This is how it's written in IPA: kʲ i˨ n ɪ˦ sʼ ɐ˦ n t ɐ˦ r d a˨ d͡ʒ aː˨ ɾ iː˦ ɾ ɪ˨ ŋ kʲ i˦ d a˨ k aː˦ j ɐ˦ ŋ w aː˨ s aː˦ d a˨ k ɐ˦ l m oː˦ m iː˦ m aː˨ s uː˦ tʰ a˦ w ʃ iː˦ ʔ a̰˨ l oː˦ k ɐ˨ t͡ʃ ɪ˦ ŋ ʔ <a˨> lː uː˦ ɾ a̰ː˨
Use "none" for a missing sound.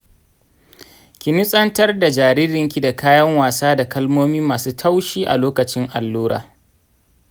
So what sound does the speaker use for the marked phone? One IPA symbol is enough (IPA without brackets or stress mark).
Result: a˨